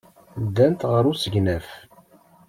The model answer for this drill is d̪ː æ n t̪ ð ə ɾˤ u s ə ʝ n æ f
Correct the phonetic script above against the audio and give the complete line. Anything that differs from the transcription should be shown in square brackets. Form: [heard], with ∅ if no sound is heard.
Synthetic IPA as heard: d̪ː æ n t̪ [ʁ] ə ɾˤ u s ə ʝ n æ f